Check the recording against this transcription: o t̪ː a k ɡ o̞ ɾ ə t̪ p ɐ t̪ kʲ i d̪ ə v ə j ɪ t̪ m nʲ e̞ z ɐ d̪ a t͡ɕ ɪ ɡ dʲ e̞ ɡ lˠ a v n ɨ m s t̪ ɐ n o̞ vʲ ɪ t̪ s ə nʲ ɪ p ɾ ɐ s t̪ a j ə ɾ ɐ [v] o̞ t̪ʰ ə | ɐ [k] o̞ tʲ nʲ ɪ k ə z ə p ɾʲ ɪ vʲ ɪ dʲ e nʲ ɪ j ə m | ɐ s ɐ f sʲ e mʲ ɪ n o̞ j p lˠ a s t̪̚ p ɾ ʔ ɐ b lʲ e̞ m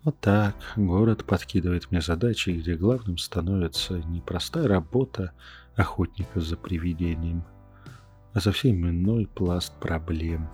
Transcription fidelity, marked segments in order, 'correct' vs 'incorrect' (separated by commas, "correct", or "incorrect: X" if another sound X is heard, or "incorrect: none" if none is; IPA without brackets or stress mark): incorrect: b, incorrect: x